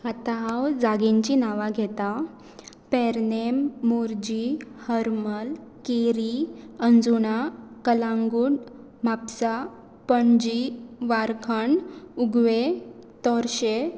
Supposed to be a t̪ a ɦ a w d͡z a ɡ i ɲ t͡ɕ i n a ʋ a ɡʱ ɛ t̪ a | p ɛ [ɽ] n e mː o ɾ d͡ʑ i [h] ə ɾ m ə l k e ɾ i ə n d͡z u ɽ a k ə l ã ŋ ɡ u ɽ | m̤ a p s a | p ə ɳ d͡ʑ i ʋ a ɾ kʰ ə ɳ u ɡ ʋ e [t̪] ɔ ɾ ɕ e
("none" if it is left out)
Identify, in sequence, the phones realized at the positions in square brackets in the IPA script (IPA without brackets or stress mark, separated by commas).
ɾ, h, t̪